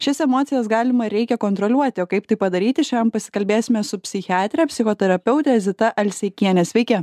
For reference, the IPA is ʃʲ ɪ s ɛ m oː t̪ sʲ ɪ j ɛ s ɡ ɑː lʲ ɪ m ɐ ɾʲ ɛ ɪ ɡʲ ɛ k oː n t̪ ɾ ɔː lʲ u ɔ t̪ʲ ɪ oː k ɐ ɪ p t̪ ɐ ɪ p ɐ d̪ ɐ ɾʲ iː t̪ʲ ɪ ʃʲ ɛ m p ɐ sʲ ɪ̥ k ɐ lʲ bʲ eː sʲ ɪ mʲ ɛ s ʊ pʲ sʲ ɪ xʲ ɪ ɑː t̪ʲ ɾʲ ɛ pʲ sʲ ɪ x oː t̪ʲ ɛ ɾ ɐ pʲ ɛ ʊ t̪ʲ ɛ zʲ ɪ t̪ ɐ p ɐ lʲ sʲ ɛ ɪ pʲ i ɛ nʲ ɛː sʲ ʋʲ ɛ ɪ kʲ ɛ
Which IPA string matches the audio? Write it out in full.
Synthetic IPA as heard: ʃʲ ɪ s ɛ m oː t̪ sʲ ɪ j ɛ s ɡ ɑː lʲ ɪ m ɐ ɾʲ ɛ ɪ kʲ ɛ k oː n t̪ ɾ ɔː lʲ u ɔ t̪ʲ ɪ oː k ɐ ɪ p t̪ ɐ ɪ p ɐ d̪ ɐ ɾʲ iː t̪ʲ ɪ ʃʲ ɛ m p ɐ sʲ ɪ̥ k ɐ lʲ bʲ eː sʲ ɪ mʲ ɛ s ʊ pʲ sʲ ɪ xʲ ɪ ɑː t̪ʲ ɾʲ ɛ pʲ sʲ ɪ x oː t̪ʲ ɛ ɾ ɐ pʲ ɛ ʊ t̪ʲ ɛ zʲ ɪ t̪ ɐ ʔ ɐ lʲ sʲ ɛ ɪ kʲ i ɛ nʲ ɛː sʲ ʋʲ ɛ ɪ kʲ ɛ